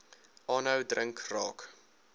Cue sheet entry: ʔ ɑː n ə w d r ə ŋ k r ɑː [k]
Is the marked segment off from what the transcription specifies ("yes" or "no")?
no